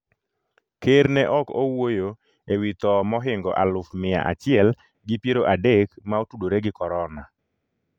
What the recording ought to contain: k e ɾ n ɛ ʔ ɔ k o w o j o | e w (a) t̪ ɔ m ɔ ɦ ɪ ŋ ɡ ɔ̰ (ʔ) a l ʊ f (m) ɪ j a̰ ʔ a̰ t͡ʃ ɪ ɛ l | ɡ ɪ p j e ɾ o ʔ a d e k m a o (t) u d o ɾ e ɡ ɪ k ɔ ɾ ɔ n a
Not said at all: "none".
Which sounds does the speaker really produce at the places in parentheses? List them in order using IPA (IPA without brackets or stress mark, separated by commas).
i, ʔ, m, t